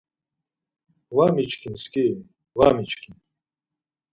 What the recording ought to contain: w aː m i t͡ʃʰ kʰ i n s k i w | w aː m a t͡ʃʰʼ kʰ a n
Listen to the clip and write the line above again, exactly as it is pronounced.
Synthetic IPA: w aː m i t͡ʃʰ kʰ i n s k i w | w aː m i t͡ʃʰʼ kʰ i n